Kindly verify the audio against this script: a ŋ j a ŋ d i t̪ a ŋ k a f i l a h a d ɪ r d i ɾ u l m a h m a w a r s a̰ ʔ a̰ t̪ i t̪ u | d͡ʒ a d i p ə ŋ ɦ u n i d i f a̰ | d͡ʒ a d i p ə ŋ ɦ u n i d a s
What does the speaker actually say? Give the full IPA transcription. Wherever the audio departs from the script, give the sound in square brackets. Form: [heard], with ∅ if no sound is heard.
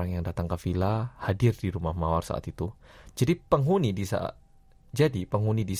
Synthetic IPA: a ŋ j a ŋ d [a] t̪ a ŋ k a f i l a h a d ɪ r d i ɾ u [∅] m a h m a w a r s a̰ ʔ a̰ t̪ i t̪ u | d͡ʒ a d i p ə ŋ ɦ u n i d i [s] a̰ | d͡ʒ a d i p ə ŋ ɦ u n i d [i] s